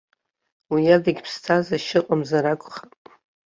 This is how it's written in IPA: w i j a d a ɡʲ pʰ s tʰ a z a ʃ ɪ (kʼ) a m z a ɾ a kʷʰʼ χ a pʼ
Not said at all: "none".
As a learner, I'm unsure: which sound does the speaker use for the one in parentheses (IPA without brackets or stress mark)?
qʼ